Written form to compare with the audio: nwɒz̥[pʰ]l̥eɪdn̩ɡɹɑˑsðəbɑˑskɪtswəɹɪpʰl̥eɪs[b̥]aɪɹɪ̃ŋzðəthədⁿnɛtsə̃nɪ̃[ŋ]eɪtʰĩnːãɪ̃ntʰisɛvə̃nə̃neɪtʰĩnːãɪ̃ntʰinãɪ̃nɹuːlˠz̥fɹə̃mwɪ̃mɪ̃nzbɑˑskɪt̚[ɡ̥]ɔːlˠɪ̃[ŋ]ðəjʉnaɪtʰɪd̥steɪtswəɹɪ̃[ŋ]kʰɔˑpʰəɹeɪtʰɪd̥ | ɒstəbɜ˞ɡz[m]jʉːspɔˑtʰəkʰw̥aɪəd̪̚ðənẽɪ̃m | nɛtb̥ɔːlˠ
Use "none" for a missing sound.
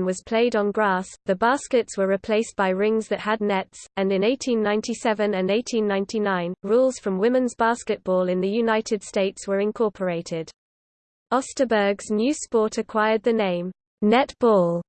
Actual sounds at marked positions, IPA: pʰ, b̥, n, b̥, n, n, n

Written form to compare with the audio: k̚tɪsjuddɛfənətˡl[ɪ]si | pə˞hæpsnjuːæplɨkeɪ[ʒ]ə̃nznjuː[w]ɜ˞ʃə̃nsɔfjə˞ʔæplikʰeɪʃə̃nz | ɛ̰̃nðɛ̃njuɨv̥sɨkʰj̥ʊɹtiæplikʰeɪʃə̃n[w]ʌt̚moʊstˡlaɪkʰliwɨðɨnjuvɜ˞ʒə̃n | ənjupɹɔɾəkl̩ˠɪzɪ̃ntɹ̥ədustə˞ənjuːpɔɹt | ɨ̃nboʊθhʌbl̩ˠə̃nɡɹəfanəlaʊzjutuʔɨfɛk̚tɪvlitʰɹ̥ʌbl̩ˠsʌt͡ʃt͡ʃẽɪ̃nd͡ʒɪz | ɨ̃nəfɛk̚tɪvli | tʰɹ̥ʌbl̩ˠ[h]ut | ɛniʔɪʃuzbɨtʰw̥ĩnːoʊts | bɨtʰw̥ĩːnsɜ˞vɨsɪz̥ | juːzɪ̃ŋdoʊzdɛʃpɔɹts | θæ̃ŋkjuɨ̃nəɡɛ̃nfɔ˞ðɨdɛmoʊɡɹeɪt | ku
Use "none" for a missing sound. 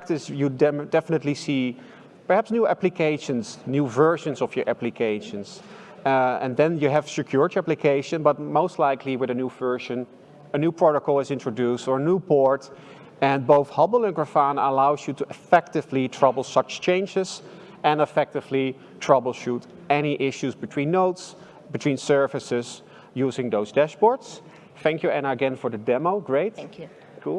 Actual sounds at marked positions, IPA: i, ʃ, v, b, ʃ

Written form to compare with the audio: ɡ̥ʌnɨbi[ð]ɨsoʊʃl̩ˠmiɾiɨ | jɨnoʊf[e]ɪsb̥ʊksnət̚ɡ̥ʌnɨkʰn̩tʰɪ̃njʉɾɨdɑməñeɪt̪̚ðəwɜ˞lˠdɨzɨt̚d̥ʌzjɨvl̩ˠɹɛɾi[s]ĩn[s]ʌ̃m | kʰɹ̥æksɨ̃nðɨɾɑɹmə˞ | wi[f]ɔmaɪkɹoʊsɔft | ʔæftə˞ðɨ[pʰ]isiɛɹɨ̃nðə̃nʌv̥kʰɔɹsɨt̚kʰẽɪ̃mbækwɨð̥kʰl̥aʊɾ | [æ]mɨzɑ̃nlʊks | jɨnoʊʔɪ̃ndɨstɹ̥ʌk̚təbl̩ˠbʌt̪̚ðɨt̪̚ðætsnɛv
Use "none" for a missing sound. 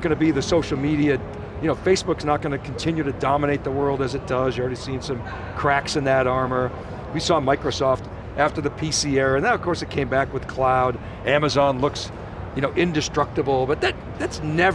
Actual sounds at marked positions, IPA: ð, e, s, s, s, pʰ, æ

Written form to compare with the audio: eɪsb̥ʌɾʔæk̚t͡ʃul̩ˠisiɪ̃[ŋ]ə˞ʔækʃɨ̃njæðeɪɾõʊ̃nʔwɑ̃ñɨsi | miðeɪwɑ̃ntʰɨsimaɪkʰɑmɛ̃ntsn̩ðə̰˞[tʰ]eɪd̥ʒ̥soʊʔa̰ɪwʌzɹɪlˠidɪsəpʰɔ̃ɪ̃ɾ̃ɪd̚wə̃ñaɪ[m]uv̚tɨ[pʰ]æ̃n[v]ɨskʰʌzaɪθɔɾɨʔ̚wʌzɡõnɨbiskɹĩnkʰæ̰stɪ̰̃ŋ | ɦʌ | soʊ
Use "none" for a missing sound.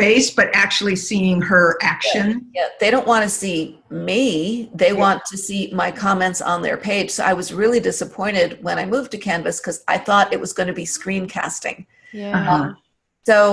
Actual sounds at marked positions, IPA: ŋ, pʰ, m, kʰ, v

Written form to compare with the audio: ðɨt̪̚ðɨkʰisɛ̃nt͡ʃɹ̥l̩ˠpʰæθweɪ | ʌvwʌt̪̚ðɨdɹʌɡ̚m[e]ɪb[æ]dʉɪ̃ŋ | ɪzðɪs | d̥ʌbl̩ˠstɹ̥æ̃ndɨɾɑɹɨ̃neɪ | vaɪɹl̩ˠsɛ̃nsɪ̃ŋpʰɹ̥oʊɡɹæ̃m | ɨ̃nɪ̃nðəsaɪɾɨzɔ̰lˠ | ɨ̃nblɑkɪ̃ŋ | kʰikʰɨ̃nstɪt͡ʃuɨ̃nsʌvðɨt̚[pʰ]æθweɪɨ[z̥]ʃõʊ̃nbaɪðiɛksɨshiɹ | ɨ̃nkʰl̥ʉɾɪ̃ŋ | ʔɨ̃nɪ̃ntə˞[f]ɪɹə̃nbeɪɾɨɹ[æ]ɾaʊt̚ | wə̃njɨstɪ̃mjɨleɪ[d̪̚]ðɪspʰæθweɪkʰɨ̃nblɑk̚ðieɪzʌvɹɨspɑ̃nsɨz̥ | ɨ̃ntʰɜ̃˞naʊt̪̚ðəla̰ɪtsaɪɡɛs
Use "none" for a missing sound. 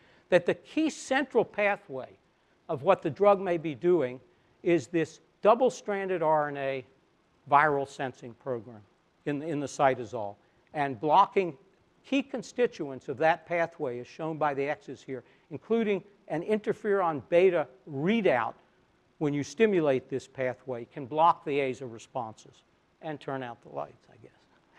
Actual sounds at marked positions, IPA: e, i, pʰ, z̥, f, i, t̪̚

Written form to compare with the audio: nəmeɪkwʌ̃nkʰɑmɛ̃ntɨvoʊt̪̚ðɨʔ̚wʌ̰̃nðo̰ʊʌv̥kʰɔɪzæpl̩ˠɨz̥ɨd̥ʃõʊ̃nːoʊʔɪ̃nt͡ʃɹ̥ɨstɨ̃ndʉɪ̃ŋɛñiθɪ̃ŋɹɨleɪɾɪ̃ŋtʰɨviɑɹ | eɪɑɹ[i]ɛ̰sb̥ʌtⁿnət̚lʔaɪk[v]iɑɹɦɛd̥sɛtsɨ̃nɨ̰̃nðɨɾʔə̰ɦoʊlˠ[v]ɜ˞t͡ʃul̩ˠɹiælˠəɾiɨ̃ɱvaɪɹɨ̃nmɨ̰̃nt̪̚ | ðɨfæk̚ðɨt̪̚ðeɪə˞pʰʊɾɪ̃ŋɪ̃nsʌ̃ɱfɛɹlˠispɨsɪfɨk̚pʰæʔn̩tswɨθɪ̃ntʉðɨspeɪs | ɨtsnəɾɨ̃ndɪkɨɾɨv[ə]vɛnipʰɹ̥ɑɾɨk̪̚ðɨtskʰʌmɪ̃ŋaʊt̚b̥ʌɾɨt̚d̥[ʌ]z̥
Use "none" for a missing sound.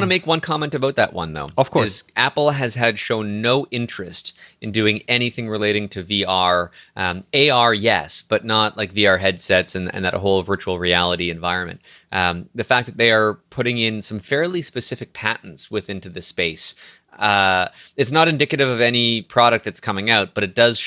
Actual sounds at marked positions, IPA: j, v, v, ʌ, ʌ

